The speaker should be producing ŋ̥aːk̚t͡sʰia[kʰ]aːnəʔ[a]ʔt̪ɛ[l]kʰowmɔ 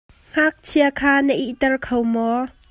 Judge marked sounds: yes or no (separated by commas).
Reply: yes, no, no